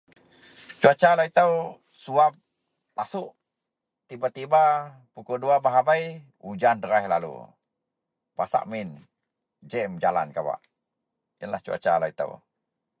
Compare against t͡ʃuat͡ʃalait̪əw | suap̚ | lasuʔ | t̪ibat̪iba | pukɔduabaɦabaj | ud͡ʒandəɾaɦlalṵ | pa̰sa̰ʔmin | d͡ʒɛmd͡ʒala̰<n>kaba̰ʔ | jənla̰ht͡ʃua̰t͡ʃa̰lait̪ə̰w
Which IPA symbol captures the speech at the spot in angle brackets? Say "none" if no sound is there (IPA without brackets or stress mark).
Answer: n